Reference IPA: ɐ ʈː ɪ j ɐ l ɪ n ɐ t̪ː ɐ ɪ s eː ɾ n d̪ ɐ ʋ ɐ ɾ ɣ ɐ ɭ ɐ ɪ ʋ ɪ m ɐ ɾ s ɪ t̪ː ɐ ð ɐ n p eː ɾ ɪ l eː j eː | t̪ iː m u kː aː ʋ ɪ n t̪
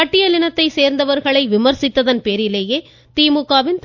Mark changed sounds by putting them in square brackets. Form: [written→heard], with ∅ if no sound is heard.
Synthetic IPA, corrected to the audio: ɐ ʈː ɪ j ɐ l ɪ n ɐ t̪ː ɐ ɪ s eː ɾ n d̪ ɐ ʋ ɐ ɾ ɣ ɐ ɭ ɐ ɪ ʋ ɪ m ɐ ɾ s ɪ t̪ː ɐ ð ɐ n p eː ɾ ɪ l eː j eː | t̪ iː m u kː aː ʋ ɪ n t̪